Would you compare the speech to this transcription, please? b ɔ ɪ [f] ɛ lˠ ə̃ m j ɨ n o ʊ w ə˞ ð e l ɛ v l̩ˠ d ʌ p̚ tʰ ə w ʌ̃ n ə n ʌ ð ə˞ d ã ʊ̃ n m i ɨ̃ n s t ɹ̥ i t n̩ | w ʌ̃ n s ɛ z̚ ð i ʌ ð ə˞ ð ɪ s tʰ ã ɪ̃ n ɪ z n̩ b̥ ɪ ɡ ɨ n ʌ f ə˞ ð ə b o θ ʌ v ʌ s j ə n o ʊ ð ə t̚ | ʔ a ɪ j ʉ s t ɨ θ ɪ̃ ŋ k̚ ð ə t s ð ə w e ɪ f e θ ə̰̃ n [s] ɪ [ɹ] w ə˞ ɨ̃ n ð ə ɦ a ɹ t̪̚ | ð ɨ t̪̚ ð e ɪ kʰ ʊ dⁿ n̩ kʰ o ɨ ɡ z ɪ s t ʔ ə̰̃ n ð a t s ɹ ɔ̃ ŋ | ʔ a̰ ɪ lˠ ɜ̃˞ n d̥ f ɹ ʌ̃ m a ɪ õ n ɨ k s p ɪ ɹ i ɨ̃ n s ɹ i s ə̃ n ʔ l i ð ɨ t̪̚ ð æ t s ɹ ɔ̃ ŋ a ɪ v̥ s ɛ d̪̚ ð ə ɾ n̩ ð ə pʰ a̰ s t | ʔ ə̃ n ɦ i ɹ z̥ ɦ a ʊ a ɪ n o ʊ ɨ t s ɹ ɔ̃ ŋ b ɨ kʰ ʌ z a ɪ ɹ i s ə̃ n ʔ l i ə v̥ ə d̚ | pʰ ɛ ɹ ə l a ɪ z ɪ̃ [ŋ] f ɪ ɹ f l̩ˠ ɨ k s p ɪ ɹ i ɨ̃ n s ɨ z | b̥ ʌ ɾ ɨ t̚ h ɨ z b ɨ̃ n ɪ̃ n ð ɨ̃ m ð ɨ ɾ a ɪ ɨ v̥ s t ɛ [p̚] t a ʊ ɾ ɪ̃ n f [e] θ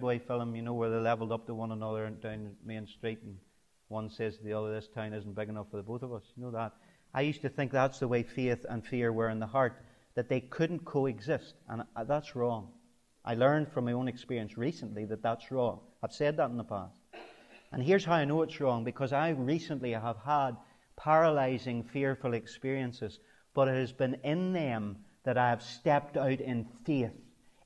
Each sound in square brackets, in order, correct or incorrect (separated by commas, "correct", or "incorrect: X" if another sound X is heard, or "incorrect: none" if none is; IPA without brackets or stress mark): correct, incorrect: f, correct, correct, correct, correct